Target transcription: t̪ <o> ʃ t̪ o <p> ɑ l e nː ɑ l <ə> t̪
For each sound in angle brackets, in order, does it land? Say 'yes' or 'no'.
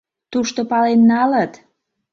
no, yes, yes

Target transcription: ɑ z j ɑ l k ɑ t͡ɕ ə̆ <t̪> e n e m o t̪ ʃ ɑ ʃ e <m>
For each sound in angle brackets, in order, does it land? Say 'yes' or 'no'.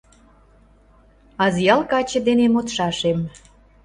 no, yes

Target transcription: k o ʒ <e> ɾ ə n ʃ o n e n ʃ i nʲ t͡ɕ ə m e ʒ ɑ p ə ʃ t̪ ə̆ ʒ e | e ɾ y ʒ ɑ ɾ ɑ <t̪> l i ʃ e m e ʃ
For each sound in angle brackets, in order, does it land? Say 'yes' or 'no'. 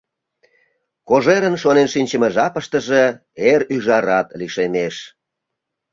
yes, yes

